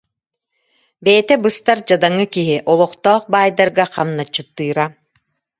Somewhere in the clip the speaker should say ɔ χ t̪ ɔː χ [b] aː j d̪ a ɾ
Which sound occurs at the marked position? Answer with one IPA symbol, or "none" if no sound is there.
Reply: b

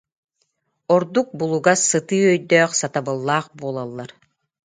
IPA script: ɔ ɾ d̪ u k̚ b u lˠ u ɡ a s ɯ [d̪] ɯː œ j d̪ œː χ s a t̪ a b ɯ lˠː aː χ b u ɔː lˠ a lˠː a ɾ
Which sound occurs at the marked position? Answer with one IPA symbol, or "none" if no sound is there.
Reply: t̪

